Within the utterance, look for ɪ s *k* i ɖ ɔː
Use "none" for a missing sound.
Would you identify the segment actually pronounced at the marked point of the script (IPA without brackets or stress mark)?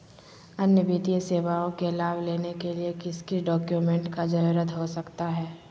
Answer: k